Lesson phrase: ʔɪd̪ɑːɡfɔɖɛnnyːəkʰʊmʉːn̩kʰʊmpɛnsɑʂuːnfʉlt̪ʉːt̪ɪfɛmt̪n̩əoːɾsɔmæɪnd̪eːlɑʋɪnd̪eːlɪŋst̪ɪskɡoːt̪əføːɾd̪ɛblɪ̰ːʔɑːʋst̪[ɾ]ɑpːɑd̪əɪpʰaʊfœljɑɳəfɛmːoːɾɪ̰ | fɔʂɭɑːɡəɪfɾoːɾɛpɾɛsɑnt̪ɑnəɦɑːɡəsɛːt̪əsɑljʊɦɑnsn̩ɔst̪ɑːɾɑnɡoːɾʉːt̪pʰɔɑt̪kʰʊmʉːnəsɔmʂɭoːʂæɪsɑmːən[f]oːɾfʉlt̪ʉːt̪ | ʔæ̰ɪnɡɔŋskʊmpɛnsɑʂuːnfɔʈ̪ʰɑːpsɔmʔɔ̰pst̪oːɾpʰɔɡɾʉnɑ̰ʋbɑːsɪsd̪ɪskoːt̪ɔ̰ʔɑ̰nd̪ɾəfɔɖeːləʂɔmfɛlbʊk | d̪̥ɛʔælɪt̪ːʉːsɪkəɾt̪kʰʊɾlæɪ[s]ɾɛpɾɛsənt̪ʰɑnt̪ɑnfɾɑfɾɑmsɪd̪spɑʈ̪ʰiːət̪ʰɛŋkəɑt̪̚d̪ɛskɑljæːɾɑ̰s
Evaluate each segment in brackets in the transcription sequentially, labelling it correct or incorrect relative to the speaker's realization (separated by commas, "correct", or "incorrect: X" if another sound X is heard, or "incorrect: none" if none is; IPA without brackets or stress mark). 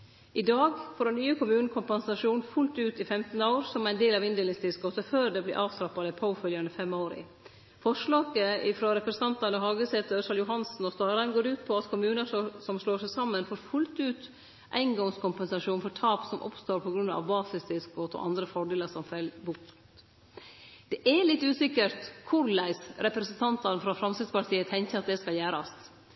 correct, correct, correct